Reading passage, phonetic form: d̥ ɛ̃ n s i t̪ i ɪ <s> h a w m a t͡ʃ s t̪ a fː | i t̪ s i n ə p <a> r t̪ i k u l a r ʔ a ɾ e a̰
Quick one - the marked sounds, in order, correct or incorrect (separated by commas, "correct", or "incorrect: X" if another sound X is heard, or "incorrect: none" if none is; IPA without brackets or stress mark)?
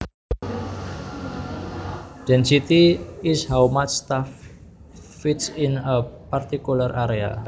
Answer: correct, correct